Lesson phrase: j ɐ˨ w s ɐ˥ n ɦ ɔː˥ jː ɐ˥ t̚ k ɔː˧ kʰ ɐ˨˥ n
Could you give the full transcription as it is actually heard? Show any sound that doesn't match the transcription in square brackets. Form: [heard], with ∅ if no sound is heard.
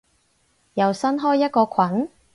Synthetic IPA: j ɐ˨ w s ɐ˥ n ɦ ɔː˥ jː ɐ˥ t̚ k ɔː˧ kʰ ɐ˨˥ n